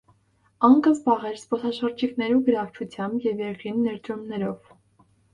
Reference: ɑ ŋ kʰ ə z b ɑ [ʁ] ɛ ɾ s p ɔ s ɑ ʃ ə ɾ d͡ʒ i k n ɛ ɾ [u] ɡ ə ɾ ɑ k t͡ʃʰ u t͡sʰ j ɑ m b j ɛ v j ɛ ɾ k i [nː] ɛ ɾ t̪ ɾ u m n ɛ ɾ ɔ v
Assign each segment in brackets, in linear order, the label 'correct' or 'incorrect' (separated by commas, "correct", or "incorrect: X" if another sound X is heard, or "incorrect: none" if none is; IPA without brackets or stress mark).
correct, correct, correct